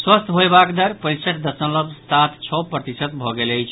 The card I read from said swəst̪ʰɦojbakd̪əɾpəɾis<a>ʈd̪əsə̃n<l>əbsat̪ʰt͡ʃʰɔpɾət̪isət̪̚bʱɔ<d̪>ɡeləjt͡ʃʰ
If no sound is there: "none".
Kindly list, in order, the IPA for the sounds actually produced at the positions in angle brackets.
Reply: ə, l, none

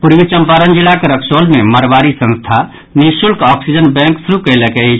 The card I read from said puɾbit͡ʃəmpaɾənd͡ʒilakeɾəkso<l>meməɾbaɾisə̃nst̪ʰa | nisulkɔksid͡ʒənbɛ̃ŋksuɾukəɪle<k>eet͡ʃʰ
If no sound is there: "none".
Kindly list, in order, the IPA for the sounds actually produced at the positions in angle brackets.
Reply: l, k

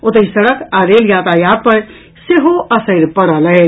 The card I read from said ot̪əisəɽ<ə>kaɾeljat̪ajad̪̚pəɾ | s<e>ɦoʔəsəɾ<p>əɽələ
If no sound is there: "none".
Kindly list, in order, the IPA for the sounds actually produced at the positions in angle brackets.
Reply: ə, e, p

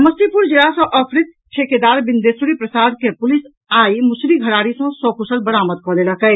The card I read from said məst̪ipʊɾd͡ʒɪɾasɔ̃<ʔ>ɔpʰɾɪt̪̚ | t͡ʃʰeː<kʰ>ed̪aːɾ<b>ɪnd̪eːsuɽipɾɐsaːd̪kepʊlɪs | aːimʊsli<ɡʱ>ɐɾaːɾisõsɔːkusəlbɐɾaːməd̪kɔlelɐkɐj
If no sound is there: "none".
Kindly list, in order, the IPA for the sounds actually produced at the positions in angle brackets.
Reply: ʔ, k, b, ɡʱ

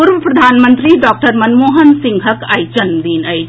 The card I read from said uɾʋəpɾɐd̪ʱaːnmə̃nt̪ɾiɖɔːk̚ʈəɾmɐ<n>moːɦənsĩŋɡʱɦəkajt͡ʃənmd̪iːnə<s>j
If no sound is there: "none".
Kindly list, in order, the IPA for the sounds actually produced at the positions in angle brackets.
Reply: n, none

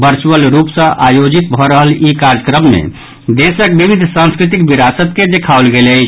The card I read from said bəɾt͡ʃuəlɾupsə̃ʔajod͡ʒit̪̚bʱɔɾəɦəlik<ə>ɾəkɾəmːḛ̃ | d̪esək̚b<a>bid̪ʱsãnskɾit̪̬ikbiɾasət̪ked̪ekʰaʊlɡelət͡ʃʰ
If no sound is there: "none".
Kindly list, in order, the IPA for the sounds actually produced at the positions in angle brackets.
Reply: a, i

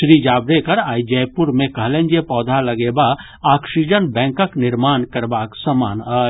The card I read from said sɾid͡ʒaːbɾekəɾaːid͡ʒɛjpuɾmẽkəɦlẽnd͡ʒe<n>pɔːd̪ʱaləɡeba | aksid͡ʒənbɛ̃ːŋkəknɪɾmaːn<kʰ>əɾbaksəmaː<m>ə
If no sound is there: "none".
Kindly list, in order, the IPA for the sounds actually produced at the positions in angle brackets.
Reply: none, k, n

